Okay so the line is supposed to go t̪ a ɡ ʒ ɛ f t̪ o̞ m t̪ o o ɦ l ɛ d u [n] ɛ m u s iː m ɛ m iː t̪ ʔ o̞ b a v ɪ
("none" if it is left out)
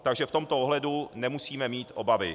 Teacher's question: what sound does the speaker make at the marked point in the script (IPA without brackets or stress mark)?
n